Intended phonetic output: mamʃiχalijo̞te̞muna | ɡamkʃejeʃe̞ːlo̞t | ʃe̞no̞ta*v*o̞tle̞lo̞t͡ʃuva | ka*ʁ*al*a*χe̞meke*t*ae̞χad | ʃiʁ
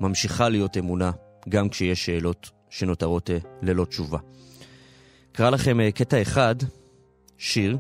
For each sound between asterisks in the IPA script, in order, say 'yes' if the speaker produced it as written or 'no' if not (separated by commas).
no, yes, yes, yes